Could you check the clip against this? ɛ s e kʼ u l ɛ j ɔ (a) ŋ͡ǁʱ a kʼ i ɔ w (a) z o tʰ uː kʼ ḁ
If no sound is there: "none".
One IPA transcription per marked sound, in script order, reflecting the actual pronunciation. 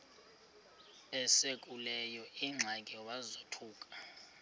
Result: i, a

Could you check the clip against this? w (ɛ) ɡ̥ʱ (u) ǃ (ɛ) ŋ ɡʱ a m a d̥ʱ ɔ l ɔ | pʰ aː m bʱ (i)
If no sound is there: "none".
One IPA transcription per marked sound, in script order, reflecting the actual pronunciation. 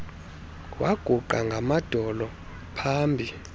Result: a, u, a, i

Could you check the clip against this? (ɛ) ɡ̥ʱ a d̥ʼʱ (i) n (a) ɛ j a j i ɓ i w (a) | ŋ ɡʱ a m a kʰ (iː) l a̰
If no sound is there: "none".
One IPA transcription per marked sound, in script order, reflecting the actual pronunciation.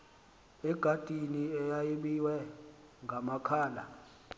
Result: ɛ, i, i, ɛ, aː

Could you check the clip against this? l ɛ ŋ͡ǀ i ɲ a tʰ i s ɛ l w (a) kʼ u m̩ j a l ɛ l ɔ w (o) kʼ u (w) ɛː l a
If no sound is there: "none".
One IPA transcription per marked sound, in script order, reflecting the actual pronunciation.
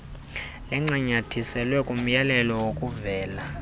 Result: ɛ, o, v

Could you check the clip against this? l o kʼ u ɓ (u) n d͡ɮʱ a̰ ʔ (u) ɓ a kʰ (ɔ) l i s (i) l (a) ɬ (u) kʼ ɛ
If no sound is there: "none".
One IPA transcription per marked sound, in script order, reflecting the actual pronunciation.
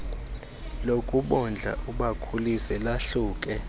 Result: ɔ, u, u, ɛ, a, uː

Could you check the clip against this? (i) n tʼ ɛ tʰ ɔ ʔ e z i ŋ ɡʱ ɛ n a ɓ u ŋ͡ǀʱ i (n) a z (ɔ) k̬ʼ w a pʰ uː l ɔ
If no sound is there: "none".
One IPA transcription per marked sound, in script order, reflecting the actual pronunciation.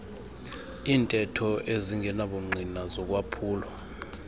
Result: iː, n, ɔ

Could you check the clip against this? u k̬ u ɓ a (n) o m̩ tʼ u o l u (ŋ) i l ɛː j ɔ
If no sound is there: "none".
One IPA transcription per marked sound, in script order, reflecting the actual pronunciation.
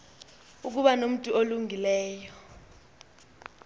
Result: n, ŋ

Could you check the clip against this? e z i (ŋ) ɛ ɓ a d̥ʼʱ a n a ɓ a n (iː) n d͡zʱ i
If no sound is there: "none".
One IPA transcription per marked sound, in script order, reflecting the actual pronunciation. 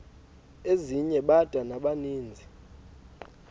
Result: ɲ, iː

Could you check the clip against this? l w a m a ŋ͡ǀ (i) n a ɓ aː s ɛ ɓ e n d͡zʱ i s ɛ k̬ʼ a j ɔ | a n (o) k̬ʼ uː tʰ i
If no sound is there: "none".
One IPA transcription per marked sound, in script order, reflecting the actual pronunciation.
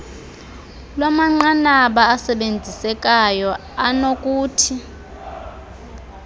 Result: a, o

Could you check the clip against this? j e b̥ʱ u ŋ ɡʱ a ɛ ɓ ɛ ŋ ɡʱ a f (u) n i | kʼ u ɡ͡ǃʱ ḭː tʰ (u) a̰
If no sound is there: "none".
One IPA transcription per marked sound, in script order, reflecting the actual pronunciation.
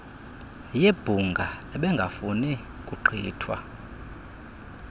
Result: u, w

